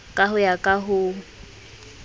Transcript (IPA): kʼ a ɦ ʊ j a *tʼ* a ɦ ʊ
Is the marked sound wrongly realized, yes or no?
yes